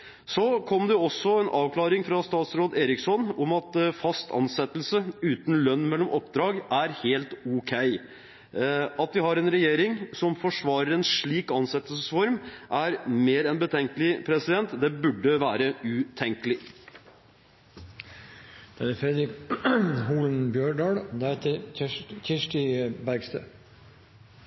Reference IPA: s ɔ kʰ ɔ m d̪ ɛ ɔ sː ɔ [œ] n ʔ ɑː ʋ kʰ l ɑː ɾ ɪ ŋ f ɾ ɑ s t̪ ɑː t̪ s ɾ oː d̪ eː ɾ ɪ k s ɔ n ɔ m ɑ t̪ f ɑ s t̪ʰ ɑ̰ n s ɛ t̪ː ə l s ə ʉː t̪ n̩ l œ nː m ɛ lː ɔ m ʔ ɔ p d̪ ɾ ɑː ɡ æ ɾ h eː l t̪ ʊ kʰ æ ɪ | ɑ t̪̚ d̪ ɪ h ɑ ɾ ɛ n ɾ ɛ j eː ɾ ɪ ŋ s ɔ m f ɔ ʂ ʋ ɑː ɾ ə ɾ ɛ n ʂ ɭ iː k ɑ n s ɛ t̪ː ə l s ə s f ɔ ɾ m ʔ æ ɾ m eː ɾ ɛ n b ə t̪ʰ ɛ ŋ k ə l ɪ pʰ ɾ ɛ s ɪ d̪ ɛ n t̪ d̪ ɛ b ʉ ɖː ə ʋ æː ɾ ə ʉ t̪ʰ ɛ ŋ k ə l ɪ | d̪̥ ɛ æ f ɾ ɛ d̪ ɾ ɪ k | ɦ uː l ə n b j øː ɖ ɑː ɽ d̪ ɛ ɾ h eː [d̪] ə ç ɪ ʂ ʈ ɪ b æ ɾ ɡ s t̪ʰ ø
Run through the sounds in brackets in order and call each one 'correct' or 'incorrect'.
incorrect, incorrect

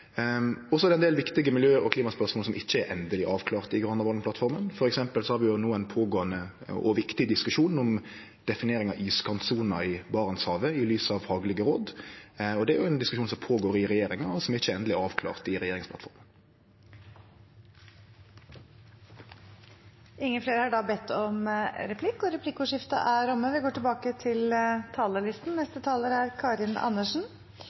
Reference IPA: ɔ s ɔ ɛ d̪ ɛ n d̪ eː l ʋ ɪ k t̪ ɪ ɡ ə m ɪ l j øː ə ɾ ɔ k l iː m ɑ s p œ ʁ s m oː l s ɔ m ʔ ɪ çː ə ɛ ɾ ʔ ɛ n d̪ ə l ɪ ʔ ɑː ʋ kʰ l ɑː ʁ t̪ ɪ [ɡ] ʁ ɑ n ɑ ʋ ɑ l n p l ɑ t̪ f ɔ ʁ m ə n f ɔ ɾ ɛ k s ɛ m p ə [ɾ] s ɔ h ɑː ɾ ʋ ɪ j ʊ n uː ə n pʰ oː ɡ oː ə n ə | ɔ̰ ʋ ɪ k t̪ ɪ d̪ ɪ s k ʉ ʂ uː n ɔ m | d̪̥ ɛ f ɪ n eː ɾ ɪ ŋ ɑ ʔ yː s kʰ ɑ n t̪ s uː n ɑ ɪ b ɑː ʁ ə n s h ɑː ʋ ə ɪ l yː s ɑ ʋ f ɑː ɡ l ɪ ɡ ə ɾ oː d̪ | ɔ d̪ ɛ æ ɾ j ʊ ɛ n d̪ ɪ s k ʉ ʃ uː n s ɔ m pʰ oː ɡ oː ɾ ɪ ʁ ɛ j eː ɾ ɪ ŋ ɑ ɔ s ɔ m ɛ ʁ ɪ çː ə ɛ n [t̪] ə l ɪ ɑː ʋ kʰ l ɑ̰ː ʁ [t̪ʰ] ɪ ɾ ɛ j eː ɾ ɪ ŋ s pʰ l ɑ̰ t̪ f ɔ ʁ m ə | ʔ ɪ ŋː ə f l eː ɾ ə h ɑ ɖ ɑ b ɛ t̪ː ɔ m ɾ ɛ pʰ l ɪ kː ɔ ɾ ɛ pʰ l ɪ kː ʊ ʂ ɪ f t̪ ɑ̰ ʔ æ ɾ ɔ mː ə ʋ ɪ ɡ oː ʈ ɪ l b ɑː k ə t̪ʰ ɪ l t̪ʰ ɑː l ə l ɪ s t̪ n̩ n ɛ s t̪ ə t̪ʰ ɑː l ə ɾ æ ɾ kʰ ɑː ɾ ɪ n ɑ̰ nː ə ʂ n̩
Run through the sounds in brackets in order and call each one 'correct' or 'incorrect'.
correct, incorrect, incorrect, incorrect

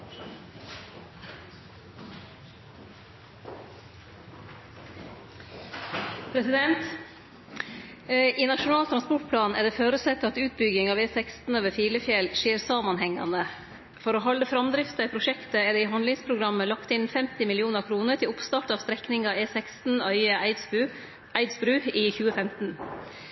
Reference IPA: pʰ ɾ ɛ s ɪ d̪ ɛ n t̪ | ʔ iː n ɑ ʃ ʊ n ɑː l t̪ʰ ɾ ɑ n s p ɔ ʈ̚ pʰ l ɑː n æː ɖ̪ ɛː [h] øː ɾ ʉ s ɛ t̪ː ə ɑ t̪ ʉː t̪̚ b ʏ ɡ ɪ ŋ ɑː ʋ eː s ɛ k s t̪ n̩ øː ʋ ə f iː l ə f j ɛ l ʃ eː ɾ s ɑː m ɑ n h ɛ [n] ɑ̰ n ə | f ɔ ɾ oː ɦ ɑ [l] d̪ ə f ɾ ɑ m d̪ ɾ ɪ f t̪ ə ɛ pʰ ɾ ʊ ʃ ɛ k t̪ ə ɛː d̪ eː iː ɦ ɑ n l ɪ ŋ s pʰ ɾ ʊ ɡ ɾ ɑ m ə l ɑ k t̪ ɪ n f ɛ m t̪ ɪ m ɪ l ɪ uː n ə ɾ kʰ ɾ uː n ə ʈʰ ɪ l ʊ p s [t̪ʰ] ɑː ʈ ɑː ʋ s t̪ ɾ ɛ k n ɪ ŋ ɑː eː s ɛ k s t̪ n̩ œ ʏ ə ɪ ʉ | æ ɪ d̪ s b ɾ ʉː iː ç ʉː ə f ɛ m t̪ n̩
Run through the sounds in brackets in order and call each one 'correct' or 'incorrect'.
incorrect, incorrect, correct, incorrect

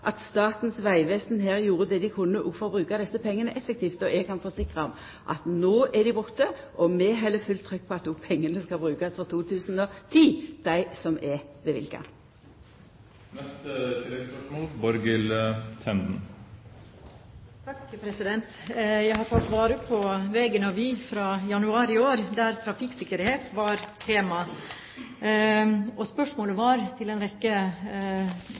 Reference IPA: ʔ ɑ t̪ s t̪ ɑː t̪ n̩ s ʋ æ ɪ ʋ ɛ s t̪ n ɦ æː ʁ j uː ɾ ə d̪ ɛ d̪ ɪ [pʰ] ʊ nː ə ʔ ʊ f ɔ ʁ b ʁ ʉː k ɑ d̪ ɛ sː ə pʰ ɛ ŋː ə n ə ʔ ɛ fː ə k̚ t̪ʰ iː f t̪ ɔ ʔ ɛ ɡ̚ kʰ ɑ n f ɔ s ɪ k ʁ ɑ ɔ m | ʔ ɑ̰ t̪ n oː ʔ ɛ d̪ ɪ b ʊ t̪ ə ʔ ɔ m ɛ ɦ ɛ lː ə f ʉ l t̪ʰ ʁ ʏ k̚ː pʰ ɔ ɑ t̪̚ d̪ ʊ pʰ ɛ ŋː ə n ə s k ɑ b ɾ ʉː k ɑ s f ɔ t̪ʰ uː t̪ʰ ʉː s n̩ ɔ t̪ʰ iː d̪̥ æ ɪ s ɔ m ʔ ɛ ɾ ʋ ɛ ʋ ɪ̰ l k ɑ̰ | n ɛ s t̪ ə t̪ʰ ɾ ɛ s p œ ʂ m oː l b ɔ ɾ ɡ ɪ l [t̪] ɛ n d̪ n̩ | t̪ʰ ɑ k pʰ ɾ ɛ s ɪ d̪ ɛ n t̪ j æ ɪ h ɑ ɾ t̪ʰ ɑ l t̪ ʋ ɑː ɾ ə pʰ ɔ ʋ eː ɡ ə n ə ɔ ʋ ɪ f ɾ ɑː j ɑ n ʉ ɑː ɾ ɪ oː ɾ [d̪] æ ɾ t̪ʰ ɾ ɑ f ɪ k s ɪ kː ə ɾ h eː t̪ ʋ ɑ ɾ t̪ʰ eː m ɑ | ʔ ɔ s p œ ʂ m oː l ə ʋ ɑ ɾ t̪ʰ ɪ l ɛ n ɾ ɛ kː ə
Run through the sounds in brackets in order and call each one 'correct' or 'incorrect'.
incorrect, incorrect, correct

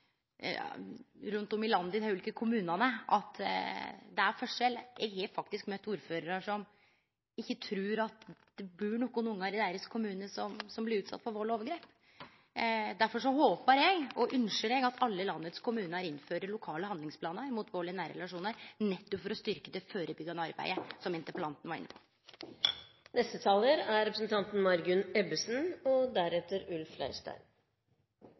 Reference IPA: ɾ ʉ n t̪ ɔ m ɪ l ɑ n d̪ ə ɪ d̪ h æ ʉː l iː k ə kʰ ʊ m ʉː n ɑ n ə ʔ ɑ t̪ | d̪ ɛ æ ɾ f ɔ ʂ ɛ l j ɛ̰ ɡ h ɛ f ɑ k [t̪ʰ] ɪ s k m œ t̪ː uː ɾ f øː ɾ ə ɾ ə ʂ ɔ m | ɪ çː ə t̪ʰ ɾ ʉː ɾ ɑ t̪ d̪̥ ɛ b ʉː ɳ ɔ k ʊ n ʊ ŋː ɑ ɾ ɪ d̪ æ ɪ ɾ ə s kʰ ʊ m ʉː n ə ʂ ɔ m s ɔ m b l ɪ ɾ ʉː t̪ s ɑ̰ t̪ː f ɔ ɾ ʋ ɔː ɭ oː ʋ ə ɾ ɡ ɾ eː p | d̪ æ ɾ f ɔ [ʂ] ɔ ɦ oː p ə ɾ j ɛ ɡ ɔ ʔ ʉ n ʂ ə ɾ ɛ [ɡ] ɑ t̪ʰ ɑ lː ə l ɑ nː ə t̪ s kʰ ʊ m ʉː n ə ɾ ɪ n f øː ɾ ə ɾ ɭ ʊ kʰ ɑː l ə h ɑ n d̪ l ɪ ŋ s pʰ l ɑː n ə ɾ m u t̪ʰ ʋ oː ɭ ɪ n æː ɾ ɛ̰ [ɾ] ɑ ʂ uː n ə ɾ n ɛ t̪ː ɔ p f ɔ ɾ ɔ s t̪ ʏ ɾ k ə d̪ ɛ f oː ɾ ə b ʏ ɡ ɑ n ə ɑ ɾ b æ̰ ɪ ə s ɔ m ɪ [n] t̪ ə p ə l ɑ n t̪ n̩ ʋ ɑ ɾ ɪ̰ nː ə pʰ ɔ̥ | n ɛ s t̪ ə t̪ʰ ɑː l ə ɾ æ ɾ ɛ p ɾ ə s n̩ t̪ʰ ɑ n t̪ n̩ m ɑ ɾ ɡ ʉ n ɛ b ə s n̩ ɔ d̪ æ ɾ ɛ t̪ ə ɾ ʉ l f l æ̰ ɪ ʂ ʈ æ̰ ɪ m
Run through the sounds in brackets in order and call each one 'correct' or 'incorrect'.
incorrect, correct, correct, incorrect, correct

